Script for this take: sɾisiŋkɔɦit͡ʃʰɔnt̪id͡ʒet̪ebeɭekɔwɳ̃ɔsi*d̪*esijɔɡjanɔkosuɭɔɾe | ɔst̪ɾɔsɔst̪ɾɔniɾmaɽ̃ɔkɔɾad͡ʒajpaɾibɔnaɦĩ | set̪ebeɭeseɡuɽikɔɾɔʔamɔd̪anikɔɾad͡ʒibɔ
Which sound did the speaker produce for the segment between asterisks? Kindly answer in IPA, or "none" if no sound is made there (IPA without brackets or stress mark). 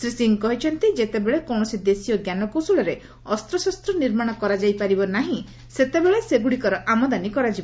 d̪